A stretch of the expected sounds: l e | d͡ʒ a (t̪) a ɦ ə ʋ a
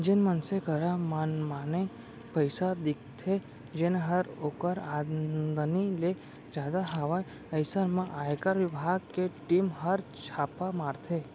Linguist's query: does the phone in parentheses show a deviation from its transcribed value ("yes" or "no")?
yes